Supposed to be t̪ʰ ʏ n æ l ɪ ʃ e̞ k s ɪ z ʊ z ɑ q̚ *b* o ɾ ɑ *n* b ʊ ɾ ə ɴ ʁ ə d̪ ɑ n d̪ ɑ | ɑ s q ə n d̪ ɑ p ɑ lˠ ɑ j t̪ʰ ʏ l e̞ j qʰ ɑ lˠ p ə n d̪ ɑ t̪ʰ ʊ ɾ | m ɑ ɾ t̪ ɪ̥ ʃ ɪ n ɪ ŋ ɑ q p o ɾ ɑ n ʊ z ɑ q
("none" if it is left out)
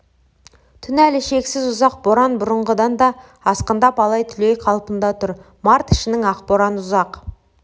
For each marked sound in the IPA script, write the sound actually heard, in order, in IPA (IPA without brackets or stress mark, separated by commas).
b, n